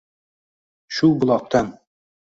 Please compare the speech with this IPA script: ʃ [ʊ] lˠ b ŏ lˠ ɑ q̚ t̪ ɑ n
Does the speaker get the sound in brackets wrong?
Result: yes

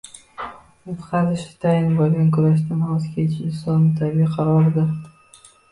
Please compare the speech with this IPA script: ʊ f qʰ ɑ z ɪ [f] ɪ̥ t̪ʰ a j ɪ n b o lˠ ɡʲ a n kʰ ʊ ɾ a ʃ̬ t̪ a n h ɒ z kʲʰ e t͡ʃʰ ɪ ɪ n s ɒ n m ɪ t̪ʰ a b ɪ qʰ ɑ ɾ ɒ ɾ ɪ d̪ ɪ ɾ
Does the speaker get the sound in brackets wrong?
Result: yes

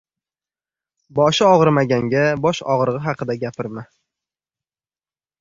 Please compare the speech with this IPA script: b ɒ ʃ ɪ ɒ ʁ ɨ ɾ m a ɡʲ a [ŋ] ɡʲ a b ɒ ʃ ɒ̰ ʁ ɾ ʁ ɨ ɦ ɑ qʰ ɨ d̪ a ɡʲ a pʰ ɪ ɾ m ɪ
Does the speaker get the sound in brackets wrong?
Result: no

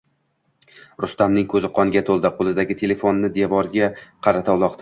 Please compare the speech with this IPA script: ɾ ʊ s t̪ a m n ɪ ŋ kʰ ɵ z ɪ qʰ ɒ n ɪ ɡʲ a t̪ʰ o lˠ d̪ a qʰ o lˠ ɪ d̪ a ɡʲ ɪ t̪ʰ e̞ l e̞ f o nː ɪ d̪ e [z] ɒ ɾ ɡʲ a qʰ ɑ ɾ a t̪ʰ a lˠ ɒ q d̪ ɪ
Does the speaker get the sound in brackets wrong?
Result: yes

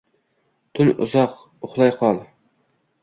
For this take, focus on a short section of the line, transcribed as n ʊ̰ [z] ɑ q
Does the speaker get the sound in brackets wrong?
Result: no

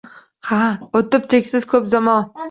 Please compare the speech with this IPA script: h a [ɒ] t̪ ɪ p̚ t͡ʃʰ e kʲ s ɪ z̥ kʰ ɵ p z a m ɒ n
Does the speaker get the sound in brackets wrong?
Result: yes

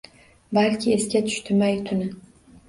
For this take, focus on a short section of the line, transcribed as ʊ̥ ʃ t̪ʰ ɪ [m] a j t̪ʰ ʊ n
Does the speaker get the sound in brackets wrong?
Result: no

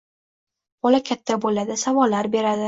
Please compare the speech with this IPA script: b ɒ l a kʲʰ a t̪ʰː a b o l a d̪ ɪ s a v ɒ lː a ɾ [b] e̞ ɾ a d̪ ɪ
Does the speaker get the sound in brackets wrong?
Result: no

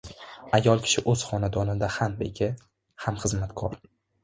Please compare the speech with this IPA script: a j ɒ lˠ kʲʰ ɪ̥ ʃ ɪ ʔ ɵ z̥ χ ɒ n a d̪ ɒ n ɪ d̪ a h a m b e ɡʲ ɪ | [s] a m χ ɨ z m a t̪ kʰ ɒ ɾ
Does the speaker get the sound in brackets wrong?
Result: yes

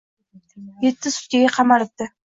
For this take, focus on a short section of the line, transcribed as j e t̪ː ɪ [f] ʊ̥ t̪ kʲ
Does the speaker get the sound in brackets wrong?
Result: yes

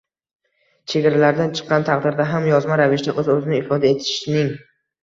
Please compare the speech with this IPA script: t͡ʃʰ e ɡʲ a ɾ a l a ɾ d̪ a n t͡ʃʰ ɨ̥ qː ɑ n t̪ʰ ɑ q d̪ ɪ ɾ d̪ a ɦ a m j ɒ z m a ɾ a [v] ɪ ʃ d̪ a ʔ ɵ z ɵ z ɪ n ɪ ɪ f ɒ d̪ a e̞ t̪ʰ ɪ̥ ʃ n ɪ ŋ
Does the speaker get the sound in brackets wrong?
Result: no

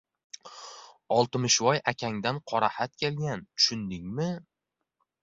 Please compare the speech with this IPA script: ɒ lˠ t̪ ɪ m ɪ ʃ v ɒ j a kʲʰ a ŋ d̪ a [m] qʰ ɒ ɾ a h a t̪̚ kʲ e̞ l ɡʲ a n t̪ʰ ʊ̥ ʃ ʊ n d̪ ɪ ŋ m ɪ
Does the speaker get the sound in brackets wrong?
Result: yes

